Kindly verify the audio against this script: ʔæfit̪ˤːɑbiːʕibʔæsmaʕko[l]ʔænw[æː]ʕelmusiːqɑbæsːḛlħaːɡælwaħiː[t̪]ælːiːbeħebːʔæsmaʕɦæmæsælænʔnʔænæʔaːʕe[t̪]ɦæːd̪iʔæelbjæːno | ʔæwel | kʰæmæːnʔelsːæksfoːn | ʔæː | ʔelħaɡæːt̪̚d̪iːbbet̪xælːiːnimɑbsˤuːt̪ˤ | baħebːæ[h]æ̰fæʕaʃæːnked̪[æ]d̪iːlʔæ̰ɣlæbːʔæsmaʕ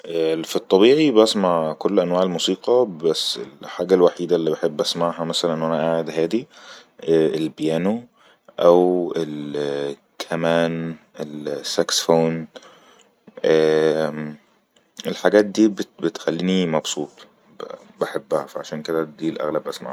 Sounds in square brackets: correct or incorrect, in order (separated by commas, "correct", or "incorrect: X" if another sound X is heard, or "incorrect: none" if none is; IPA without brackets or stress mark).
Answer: incorrect: lː, incorrect: aː, incorrect: d̪, incorrect: d̪, correct, correct